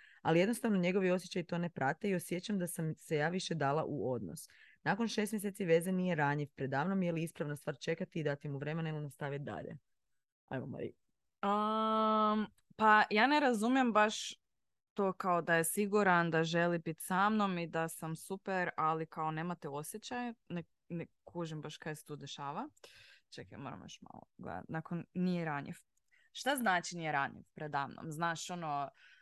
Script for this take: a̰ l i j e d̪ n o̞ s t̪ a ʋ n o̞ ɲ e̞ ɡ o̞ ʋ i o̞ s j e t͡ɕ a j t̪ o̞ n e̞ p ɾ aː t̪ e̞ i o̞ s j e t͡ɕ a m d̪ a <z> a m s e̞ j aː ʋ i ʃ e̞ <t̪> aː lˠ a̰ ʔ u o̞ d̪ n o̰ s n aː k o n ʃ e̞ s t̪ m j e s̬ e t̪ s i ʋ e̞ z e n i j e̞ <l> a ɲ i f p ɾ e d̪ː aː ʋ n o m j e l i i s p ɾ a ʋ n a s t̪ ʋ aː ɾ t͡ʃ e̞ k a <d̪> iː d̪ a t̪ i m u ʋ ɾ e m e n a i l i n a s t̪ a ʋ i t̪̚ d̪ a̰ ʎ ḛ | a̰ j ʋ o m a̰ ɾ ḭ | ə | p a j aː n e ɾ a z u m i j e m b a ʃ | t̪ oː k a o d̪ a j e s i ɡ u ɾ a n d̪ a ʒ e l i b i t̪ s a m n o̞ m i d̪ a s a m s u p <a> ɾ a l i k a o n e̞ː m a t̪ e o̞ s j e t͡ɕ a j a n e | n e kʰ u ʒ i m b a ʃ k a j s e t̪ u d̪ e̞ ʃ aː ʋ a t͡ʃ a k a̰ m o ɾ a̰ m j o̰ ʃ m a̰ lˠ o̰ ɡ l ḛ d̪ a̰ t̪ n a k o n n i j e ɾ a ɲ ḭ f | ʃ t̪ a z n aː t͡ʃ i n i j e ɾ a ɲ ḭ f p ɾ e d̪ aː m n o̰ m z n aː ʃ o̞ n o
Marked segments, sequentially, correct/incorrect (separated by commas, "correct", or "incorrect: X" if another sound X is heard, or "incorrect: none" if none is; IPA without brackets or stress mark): incorrect: s, incorrect: d̪, incorrect: ɾ, incorrect: t̪, incorrect: e